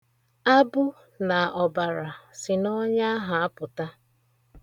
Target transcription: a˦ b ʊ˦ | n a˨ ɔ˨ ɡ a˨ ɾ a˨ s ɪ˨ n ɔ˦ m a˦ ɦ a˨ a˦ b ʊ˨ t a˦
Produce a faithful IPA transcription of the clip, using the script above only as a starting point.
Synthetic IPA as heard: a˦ b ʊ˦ | n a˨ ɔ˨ b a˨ ɾ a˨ s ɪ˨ n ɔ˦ ɲ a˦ ɦ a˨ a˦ p ʊ˨ t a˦